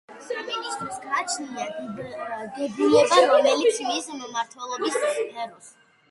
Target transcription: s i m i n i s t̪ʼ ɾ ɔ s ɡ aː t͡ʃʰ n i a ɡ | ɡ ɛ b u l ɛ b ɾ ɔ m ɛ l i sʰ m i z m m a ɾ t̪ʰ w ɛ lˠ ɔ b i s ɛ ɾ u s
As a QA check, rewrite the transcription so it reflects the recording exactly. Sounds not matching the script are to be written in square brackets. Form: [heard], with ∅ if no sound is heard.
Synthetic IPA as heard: s [a] m i n i s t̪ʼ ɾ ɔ s ɡ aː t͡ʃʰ n i a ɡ | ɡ ɛ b u l ɛ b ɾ ɔ m ɛ l i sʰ m i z m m a ɾ t̪ʰ w ɛ lˠ ɔ b i s ɛ ɾ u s